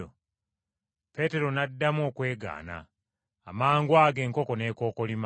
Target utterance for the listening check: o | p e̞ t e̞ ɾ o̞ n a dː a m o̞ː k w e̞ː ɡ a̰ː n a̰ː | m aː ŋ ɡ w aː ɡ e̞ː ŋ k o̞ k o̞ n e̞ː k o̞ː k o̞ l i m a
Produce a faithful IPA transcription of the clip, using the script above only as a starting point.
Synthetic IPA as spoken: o | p e̞ t e̞ ɾ o̞ n a dː a m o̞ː k w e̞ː ɡ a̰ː n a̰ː | m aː ŋ ɡ w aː ɡ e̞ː ŋ k o̞ k o̞ n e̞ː k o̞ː k o̞ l i m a